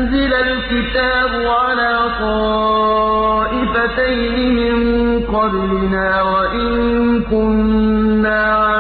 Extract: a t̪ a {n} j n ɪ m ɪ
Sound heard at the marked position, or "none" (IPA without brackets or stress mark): none